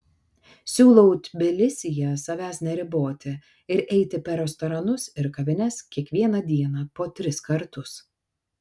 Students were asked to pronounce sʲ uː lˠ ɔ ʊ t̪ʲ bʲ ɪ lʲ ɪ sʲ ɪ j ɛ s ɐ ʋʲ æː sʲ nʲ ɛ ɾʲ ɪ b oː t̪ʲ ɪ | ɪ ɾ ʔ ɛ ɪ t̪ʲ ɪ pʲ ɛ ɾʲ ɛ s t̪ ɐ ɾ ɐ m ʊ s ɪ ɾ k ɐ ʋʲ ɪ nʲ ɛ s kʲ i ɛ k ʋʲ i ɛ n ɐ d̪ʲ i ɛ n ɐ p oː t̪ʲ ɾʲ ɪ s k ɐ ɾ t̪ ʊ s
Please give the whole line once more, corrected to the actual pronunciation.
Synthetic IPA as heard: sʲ uː lˠ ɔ ʊ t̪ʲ bʲ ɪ lʲ ɪ sʲ ɪ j ɛ s ɐ ʋʲ æː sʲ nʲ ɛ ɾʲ ɪ b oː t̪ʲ ɪ | ɪ ɾ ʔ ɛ ɪ t̪ʲ ɪ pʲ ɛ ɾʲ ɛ s t̪ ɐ ɾ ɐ n ʊ s ɪ ɾ k ɐ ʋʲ ɪ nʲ ɛ s kʲ i ɛ k ʋʲ i ɛ n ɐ d̪ʲ i ɛ n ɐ p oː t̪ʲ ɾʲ ɪ s k ɐ ɾ t̪ ʊ s